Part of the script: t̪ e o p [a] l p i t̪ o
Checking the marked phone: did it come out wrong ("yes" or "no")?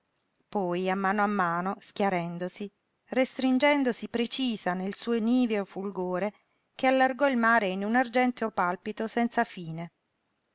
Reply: no